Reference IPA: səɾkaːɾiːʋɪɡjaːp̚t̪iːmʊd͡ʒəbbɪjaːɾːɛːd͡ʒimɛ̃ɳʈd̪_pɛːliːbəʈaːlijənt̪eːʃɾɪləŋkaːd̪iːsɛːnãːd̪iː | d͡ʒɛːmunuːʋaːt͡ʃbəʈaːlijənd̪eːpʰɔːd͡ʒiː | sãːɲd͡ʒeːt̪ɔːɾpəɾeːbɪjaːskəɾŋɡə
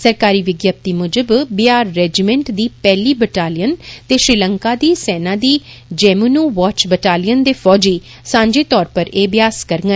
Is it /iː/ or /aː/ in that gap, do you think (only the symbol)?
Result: iː